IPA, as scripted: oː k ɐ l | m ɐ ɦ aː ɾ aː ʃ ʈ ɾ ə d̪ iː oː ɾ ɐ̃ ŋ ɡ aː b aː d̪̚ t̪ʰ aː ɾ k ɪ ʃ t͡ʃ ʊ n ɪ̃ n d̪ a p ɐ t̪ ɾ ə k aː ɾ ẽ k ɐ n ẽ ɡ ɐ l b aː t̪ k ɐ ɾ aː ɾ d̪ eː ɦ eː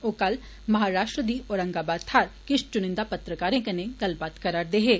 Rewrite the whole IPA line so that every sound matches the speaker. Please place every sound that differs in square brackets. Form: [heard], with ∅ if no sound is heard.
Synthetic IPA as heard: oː k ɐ l | m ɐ ɦ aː ɾ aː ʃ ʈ ɾ ə d̪ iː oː ɾ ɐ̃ ŋ ɡ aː b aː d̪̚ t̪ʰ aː ɾ k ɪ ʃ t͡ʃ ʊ n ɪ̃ n d̪ a p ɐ t̪ ɾ ə k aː ɾ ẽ k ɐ n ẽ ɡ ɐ l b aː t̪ k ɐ ɾ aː ɾ d̪ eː ɦ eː